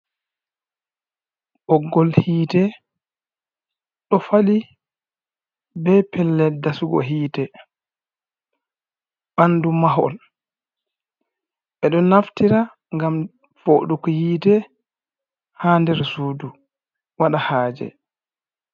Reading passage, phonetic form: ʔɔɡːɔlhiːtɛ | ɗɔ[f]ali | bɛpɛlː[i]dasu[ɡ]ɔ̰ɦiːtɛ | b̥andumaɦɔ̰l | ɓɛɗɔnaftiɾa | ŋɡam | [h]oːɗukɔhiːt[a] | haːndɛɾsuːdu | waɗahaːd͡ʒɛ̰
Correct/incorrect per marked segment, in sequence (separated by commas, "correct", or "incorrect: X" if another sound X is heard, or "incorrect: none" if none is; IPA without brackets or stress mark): correct, incorrect: ɛ, correct, incorrect: f, incorrect: ɛ